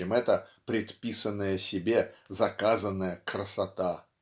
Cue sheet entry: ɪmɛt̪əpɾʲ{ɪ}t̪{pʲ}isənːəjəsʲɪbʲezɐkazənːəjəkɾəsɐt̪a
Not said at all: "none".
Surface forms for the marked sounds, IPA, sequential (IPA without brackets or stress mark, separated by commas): ɪ, pʲ